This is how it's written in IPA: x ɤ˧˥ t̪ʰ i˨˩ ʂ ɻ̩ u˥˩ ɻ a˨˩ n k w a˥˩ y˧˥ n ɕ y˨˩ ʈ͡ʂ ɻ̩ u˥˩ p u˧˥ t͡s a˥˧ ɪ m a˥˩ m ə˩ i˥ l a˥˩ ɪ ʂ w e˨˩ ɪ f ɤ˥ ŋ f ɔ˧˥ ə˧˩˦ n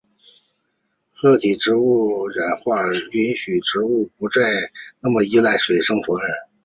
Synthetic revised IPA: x ɤ˥˩ t̪ʰ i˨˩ ʈ͡ʂ ɻ̩ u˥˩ ɻ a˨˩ n x w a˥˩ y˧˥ n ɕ y˨˩ ʈ͡ʂ ɻ̩ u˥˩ p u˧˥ t͡s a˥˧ ɪ n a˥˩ m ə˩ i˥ l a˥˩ ɪ ʂ w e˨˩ ɪ ʂ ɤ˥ ŋ f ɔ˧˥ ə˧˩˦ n